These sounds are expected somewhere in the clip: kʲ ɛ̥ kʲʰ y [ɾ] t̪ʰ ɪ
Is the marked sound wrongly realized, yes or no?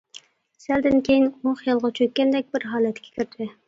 no